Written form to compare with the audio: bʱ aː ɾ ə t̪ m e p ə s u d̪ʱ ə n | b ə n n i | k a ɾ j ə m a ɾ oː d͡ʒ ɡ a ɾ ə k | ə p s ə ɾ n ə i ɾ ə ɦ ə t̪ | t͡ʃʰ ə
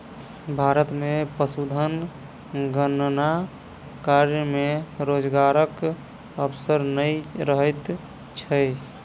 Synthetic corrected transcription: bʱ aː ɾ ə t̪ m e p ə s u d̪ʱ ə n | ɡ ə n n a | k a ɾ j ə m e ɾ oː d͡ʒ ɡ a ɾ ə k | ə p s ə ɾ n ə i ɾ ə ɦ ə t̪ | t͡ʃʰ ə